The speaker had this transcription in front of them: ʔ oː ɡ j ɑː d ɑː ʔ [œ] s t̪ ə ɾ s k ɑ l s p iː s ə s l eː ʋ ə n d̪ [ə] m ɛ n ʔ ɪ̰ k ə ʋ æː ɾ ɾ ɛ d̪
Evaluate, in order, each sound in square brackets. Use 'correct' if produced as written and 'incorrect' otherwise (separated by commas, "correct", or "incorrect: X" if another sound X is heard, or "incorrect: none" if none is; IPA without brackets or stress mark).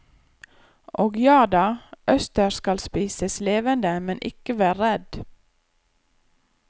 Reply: correct, correct